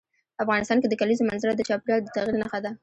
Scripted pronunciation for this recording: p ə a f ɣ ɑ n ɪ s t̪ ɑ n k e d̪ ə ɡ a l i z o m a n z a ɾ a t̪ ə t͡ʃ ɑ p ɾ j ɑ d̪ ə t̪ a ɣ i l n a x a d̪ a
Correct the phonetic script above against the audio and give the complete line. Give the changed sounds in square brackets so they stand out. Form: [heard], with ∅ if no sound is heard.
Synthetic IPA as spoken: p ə a f ɣ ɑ n ɪ s t̪ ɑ n k e d̪ ə [k] a l i z o m a n z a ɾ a [d̪] ə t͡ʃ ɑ p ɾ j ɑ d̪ ə t̪ a ɣ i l n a x a d̪ a